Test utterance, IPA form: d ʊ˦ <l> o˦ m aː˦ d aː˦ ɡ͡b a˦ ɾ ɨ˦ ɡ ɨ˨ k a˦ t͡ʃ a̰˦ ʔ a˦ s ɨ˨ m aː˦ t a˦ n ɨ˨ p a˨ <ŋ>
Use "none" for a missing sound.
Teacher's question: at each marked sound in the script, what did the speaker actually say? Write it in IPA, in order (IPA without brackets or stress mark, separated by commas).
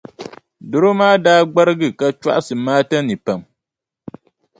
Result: ɾ, m